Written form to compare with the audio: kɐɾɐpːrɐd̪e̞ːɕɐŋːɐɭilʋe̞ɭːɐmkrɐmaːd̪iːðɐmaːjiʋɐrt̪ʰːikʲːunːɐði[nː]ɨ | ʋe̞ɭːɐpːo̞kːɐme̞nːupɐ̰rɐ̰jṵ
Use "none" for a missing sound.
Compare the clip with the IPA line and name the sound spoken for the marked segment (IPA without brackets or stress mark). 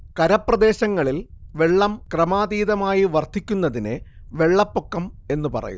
n